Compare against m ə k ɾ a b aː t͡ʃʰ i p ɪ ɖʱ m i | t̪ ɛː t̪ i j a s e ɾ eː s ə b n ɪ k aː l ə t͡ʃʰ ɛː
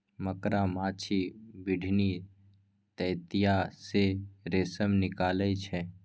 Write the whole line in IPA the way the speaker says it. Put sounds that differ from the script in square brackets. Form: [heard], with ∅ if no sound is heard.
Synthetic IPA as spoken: m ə k ɾ a [m] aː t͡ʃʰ i [b] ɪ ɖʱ [n] i | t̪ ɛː t̪ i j a s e ɾ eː s ə [m] n ɪ k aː l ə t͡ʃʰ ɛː